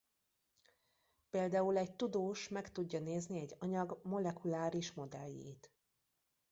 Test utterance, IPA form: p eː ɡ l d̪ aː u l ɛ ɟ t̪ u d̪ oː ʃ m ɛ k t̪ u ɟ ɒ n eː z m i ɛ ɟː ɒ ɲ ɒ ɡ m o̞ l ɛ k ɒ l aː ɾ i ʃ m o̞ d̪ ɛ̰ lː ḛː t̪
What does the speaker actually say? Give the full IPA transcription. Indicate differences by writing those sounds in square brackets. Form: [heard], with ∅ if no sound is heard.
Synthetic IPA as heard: p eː [∅] l d̪ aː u l ɛ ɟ t̪ u d̪ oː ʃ m ɛ k t̪ u [ɟː] ɒ n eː z [n] i ɛ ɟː ɒ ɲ ɒ ɡ m o̞ l ɛ k [u] l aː ɾ i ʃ m o̞ d̪ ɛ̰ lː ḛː t̪